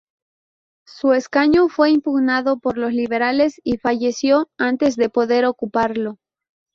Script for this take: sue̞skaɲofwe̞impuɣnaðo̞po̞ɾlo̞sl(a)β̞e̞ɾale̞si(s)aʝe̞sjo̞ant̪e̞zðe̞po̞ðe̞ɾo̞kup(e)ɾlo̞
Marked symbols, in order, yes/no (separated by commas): no, no, no